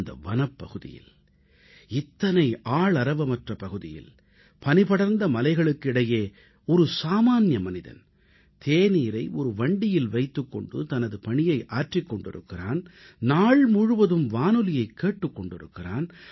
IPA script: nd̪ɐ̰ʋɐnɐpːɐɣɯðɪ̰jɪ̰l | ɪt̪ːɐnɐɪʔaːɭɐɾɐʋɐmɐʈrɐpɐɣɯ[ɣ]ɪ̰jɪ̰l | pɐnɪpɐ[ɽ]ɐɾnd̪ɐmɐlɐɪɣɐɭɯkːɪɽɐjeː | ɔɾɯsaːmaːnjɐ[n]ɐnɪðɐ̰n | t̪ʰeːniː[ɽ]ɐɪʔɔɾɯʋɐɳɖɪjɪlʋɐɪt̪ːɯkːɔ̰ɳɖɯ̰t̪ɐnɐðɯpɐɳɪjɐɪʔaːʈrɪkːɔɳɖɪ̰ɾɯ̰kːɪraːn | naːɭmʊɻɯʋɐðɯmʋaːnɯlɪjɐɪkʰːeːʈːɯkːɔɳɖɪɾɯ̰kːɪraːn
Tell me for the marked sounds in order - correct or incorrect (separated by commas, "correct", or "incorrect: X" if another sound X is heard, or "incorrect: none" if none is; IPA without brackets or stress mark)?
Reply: incorrect: ð, correct, incorrect: m, incorrect: ɾ